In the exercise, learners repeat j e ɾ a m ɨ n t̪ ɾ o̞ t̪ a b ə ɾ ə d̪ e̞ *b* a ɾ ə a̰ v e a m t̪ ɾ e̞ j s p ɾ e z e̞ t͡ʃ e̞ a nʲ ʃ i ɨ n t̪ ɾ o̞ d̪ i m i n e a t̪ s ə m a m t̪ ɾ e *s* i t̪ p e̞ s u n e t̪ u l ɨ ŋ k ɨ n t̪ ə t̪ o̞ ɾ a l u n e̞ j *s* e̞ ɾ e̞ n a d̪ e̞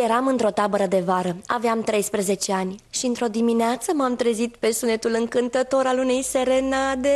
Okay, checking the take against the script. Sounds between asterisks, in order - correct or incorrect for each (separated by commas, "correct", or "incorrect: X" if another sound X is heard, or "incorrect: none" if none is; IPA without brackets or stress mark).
incorrect: v, incorrect: z, correct